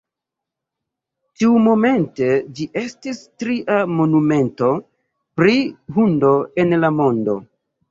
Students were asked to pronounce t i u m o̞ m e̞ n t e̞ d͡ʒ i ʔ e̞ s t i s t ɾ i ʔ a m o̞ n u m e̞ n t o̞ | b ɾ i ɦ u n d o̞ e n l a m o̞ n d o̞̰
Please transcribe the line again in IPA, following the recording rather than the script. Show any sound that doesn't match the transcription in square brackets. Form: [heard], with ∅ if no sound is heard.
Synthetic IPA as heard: t i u m o̞ m e̞ n t e̞ d͡ʒ i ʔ e̞ s t i s t ɾ i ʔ a m o̞ n u m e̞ n t o̞ | [p] ɾ i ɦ u n d o̞ e n l a m o̞ n d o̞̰